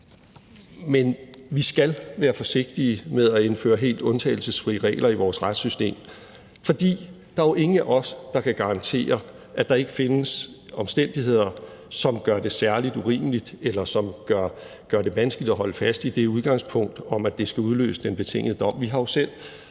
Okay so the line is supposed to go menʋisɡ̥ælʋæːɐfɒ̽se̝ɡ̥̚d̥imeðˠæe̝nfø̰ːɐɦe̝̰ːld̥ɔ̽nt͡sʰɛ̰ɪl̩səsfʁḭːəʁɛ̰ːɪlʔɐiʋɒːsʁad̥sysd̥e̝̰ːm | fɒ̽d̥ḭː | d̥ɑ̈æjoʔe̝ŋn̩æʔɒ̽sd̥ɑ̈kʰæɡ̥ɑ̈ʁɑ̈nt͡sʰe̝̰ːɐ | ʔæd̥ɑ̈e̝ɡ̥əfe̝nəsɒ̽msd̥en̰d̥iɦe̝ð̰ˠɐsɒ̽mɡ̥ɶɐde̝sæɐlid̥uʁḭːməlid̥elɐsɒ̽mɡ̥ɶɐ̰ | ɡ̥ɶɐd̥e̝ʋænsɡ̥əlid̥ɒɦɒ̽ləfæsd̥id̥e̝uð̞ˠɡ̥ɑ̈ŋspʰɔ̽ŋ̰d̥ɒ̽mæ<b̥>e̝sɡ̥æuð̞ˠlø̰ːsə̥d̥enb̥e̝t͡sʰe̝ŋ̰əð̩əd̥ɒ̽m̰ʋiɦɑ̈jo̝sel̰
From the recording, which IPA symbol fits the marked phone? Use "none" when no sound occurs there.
d̥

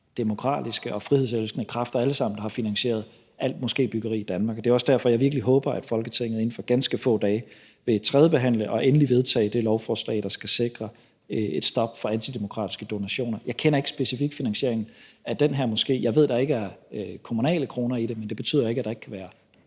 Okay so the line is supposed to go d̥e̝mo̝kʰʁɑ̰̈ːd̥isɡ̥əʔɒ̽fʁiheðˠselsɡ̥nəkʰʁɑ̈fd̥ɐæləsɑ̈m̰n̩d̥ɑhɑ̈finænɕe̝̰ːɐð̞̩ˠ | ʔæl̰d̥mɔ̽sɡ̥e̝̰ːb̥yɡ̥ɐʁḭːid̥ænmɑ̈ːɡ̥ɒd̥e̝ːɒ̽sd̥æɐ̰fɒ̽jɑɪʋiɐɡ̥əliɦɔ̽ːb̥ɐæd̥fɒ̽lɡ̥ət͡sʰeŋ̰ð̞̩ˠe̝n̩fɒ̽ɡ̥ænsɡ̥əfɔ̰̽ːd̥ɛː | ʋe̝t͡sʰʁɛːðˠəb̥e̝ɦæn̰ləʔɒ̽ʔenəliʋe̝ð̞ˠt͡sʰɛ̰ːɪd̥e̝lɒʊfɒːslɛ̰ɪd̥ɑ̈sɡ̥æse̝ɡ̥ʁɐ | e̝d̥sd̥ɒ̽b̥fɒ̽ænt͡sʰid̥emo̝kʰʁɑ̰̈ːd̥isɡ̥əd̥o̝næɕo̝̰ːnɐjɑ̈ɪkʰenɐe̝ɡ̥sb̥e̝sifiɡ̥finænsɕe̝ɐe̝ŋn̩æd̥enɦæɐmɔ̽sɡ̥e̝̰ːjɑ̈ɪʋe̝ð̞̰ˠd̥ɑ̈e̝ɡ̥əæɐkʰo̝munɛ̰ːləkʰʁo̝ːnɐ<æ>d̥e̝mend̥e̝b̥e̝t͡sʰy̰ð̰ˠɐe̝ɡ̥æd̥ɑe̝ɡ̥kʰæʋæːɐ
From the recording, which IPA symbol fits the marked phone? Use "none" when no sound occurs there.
i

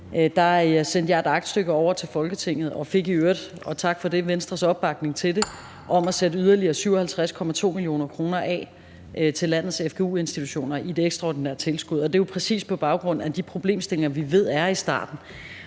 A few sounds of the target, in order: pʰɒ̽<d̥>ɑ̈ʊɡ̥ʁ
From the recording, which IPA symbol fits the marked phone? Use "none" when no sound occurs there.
b̥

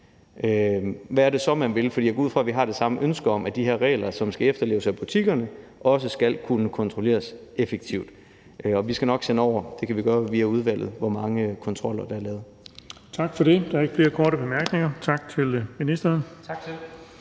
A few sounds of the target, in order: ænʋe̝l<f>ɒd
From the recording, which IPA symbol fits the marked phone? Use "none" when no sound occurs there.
f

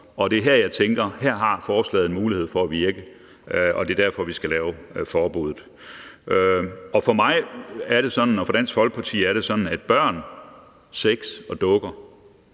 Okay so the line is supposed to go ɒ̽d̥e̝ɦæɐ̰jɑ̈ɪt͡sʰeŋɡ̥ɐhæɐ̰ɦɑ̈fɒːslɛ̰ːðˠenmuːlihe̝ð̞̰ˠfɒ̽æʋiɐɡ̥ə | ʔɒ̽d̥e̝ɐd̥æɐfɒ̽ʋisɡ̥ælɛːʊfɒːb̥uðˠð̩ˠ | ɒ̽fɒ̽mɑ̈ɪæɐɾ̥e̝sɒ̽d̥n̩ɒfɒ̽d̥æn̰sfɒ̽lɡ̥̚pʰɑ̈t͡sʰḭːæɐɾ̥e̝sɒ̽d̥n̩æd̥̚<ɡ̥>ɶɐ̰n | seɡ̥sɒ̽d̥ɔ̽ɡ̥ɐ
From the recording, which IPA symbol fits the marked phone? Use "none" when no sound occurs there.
b̥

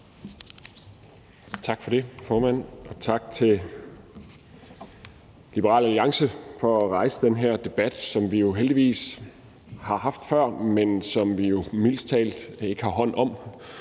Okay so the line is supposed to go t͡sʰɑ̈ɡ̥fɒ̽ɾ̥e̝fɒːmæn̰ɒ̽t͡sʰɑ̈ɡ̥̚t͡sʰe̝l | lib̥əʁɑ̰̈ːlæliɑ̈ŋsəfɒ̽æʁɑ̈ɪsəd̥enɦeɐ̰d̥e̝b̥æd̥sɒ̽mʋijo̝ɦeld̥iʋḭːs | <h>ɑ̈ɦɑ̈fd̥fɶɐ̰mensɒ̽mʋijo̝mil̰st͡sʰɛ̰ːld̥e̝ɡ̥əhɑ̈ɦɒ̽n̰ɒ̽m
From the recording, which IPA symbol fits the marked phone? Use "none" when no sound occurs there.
h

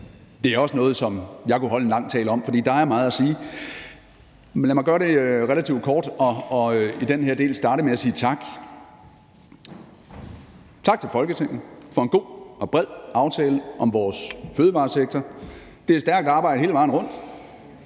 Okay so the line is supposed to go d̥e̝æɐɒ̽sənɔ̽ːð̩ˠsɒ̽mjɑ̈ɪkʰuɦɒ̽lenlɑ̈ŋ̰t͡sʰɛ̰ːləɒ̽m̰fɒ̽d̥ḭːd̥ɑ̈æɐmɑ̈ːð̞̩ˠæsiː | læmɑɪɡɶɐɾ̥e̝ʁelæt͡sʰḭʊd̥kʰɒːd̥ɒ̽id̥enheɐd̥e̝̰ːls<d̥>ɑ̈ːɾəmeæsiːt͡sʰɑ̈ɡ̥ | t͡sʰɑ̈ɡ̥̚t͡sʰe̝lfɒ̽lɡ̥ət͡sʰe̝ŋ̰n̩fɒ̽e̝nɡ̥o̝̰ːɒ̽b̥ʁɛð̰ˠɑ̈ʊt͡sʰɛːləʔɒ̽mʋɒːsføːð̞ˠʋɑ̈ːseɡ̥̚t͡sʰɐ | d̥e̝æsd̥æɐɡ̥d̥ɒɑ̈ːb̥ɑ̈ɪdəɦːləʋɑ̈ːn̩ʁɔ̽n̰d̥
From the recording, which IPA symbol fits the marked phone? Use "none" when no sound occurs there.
d̥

